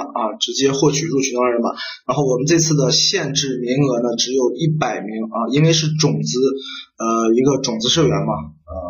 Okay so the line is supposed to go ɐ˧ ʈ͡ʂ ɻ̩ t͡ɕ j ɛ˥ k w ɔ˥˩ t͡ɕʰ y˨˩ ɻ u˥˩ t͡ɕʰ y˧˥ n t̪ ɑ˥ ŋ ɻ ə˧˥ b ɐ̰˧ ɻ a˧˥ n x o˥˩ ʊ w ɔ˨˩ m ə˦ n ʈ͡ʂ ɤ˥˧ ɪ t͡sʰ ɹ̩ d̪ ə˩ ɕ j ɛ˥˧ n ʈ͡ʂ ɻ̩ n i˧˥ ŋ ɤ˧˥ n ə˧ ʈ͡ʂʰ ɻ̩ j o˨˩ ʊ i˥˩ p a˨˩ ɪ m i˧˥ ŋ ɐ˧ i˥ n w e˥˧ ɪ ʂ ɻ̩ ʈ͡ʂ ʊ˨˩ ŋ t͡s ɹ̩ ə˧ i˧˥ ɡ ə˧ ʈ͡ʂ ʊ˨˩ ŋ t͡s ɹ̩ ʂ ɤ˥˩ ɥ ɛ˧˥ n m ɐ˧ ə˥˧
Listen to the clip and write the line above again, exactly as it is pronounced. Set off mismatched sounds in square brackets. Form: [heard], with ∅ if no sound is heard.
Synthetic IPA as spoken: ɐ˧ ʈ͡ʂ ɻ̩ t͡ɕ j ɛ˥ [x] w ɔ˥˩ t͡ɕʰ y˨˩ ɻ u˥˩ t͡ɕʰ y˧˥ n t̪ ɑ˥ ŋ ɻ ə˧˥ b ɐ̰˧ ɻ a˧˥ n x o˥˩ ʊ w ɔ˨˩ m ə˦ n ʈ͡ʂ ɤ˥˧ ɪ t͡sʰ ɹ̩ d̪ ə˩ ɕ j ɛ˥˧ n ʈ͡ʂ ɻ̩ [m] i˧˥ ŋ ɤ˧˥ n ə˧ [ʈ͡ʂ] ɻ̩ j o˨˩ ʊ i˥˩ p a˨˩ ɪ m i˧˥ ŋ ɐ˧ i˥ n w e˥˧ ɪ ʂ ɻ̩ ʈ͡ʂ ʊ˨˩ ŋ t͡s ɹ̩ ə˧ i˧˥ ɡ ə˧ ʈ͡ʂ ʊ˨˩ ŋ t͡s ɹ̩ ʂ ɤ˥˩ ɥ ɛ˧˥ n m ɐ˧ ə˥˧